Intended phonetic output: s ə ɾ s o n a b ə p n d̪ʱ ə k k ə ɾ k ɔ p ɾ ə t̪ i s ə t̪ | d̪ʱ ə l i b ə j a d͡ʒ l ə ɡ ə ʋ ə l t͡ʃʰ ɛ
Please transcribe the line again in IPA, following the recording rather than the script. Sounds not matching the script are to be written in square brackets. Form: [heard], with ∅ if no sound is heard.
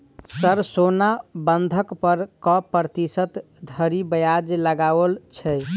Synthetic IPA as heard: s ə ɾ s o n a b ə [∅] n d̪ʱ ə k [p] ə ɾ k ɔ p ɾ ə t̪ i s ə t̪ | d̪ʱ ə [ɾ] i b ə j a d͡ʒ l ə ɡ [a] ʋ ə l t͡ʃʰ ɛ